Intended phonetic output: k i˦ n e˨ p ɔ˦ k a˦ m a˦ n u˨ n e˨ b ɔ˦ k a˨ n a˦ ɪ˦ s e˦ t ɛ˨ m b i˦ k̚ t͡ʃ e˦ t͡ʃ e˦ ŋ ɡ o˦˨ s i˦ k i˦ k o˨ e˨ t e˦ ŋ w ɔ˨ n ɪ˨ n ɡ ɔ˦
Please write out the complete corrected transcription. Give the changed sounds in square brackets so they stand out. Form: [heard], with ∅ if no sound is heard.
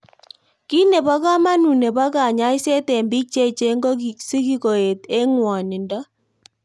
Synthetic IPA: k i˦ n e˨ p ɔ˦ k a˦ m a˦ n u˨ n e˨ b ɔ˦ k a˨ [ɲ] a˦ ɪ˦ s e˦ t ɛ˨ m b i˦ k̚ t͡ʃ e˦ t͡ʃ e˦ ŋ ɡ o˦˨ s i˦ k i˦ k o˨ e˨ t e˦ ŋ w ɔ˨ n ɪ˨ n [d] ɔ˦